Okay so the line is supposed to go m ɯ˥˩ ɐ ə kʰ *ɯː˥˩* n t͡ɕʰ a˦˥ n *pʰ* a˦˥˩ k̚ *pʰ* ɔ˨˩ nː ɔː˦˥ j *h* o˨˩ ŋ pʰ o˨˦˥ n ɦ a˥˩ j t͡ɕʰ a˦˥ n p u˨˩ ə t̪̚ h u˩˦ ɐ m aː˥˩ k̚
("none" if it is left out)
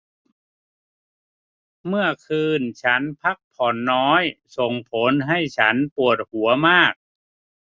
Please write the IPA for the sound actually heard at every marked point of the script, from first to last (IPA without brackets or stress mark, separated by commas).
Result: ɯː˧, pʰ, pʰ, s